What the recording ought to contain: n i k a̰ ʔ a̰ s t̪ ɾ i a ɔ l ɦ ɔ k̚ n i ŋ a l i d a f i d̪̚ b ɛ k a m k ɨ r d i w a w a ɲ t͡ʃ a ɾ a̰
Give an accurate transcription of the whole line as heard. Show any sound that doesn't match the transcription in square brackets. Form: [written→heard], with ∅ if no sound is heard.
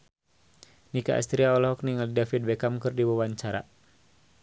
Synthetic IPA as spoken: n i k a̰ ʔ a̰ s t̪ ɾ i a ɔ l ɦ ɔ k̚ n i ŋ a l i d a f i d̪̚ b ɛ k a m k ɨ r d i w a w a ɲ t͡ʃ a ɾ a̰